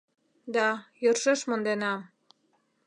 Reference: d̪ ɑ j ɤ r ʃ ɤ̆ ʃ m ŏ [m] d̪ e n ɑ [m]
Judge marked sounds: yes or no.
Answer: no, yes

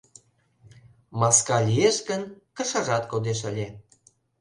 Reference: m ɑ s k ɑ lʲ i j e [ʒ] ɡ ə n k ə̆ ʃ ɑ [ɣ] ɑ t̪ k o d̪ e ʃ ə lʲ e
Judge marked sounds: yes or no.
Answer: no, no

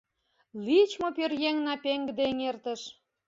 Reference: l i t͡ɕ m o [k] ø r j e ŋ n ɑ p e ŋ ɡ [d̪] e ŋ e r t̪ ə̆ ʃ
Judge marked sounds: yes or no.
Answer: no, yes

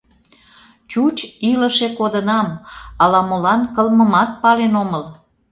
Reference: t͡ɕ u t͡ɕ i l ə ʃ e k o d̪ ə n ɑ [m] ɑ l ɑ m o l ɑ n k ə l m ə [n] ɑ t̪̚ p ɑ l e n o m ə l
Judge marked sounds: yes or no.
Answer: yes, no

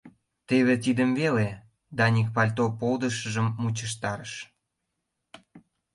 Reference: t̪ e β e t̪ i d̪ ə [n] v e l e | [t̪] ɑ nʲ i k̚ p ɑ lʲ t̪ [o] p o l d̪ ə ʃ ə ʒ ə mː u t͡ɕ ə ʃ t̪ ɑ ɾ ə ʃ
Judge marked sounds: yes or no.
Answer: no, no, yes

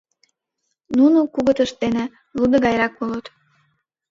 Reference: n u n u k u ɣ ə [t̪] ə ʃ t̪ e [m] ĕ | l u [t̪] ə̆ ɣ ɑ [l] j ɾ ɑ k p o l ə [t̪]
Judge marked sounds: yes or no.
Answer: yes, no, no, no, yes

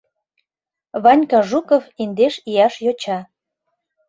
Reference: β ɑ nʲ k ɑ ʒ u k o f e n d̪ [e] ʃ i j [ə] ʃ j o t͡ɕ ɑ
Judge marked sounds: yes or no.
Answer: yes, no

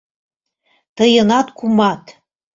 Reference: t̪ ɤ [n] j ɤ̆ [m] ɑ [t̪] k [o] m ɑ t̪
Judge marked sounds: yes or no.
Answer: no, no, yes, no

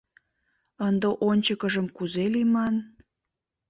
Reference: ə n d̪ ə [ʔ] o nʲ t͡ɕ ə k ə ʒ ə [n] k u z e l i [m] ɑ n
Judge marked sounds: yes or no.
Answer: yes, no, yes

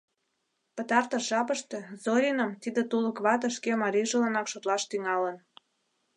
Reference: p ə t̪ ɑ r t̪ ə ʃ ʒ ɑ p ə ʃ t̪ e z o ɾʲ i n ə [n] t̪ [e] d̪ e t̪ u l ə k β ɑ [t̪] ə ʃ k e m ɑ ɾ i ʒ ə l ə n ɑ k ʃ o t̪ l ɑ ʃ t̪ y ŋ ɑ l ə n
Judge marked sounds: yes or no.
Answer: no, no, yes

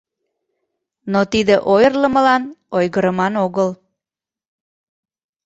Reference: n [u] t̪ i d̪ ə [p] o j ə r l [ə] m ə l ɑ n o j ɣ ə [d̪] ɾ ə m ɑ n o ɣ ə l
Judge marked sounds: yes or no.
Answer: no, no, yes, no

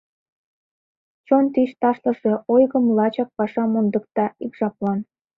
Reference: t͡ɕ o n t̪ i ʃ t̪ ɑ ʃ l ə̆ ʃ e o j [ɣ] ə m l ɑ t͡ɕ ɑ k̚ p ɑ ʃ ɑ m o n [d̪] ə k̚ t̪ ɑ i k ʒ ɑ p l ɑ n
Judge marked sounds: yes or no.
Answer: yes, yes

